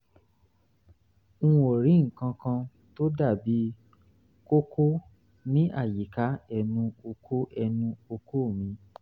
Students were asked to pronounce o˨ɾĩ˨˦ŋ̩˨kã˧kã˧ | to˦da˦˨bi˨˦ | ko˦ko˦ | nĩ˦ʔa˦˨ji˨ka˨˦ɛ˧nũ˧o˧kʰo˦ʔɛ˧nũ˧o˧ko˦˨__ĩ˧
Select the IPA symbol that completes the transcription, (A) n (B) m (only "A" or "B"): B